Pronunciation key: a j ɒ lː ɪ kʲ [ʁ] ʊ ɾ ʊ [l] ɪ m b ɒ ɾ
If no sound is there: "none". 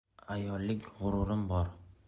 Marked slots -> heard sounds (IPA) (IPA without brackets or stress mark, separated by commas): ʁ, ɾ